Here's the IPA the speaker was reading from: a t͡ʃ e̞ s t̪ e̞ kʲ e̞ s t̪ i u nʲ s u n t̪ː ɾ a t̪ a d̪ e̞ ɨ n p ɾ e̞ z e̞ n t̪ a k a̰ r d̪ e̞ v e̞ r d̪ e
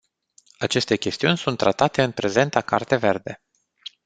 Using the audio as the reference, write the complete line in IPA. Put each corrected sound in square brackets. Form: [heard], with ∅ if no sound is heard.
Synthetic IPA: a t͡ʃ e̞ s t̪ e̞ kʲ e̞ s t̪ i u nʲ s u n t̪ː ɾ a t̪ a [t̪] e̞ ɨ n p ɾ e̞ z e̞ n t̪ a k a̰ r [t̪] e̞ v e̞ r d̪ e